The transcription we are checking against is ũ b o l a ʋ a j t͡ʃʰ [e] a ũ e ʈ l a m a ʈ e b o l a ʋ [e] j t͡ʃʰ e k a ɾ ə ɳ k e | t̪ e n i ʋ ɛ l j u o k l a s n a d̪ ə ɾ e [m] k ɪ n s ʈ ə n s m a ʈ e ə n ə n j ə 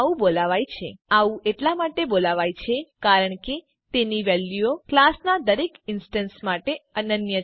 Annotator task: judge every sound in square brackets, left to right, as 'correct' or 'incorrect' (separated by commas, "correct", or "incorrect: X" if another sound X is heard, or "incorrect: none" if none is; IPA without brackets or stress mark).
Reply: correct, incorrect: a, incorrect: none